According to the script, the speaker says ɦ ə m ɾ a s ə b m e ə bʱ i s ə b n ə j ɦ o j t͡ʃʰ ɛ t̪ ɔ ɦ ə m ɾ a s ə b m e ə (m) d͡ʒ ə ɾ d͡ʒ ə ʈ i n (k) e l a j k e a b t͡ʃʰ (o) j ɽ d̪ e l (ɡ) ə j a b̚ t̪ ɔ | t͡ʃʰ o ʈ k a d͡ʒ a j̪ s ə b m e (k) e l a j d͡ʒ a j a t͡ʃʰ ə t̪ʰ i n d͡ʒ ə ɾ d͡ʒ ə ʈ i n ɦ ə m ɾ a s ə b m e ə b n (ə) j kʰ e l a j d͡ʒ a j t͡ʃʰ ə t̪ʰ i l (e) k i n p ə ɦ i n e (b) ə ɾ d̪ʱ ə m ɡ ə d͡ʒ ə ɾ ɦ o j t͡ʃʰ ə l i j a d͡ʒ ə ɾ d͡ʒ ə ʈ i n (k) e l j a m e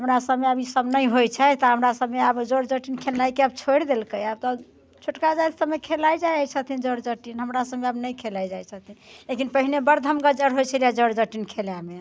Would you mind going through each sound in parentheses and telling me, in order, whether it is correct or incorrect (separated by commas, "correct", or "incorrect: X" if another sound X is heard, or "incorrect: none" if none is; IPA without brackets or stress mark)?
incorrect: b, incorrect: kʰ, correct, incorrect: k, incorrect: kʰ, correct, correct, correct, incorrect: kʰ